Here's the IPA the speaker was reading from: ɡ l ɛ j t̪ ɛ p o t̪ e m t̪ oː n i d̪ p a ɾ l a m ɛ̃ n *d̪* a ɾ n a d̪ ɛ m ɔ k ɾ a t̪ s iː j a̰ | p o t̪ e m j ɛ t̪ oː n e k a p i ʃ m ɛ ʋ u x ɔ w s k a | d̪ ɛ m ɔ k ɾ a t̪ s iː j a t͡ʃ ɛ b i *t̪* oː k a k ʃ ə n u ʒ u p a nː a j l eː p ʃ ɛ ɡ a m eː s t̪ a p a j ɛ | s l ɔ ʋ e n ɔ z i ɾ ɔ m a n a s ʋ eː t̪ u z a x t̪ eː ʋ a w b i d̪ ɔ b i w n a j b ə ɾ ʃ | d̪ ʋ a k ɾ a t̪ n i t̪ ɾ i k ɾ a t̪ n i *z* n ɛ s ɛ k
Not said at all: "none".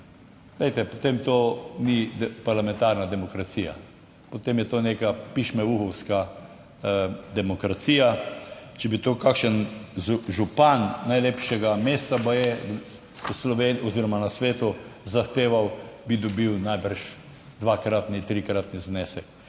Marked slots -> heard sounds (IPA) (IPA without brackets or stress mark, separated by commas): t̪, t̪, z